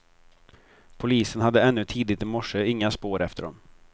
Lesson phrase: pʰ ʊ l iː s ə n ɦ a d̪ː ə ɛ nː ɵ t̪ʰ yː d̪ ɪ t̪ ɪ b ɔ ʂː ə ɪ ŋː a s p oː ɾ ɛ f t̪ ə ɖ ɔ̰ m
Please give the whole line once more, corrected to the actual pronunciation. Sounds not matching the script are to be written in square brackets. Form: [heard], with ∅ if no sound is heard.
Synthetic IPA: pʰ ʊ l iː s ə n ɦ a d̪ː ə ɛ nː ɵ t̪ʰ [iː] d̪ ɪ t̪ ɪ [m] ɔ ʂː ə ɪ ŋː a s p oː ɾ ɛ f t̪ ə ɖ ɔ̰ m